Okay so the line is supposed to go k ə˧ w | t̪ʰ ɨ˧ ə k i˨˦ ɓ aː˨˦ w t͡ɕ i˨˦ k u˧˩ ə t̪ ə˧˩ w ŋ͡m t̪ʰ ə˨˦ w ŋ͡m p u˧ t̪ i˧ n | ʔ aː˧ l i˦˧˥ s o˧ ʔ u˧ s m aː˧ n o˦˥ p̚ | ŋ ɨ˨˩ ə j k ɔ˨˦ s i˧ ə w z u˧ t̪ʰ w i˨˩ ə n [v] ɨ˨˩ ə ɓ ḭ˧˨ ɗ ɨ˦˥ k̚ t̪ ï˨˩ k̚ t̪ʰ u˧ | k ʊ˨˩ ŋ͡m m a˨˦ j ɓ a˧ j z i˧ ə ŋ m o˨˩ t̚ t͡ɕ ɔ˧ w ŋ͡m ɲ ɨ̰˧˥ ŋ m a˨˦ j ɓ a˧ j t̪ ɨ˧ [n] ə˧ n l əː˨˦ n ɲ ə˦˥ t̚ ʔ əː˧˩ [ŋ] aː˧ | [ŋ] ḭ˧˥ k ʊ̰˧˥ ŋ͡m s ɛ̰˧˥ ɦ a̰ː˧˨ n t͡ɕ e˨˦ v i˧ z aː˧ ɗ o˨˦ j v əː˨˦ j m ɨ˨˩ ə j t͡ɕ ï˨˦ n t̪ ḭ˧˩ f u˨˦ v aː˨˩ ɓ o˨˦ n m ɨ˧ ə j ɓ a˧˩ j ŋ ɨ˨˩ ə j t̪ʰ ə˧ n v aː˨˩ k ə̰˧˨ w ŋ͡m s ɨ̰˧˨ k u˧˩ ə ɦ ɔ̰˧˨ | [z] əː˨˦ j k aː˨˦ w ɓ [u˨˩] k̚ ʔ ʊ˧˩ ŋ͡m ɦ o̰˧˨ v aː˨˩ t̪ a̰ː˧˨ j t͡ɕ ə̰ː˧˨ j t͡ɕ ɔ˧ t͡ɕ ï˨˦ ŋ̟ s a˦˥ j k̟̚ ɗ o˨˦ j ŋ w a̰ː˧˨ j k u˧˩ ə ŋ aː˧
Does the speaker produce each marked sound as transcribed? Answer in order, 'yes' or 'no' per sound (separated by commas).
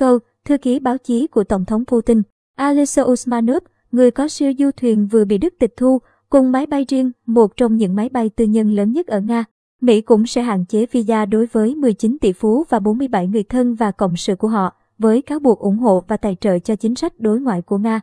yes, no, yes, no, no, yes